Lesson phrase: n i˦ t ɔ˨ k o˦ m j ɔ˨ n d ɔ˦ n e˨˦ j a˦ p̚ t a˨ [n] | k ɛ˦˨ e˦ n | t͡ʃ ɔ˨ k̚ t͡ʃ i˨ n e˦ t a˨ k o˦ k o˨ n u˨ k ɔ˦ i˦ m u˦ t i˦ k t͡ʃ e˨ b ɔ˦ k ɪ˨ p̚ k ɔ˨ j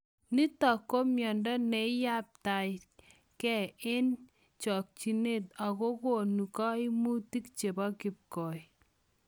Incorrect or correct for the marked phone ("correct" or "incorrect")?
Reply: incorrect